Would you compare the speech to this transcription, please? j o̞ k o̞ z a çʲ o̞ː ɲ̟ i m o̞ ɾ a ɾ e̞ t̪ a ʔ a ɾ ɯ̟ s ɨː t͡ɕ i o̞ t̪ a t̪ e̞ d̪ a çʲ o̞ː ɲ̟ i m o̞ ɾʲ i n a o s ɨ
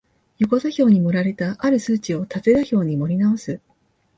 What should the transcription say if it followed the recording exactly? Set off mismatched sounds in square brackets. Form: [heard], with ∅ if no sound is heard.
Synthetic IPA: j o̞ k o̞ z a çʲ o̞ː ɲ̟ i m o̞ ɾ a ɾ e̞ t̪ a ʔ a ɾ ɯ̟ s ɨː t͡ɕ i o̞ t̪ a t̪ e̞ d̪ a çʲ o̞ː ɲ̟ i m o̞ ɾʲ i n a o s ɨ